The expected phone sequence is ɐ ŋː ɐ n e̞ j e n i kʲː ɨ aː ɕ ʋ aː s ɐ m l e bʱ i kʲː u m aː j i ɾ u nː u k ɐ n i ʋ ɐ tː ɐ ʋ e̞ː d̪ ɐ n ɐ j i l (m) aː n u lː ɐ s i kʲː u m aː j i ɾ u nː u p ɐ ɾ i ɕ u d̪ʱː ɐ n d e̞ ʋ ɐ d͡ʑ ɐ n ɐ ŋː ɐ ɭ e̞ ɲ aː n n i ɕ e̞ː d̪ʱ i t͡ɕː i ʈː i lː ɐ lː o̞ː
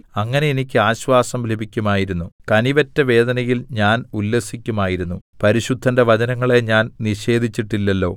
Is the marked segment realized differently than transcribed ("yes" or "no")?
yes